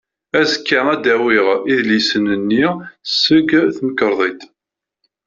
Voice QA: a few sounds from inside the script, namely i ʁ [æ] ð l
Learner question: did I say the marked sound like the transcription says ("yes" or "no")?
no